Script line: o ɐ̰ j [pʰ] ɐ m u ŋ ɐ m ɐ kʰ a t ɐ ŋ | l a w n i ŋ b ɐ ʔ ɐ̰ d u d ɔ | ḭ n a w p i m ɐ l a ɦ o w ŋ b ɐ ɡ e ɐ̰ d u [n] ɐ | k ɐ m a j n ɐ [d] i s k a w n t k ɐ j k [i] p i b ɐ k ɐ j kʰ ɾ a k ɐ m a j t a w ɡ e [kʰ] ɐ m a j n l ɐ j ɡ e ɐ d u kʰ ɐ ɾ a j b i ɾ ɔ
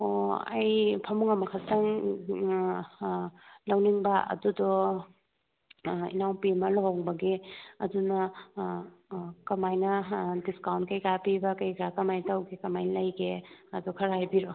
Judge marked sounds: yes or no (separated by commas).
yes, yes, yes, no, no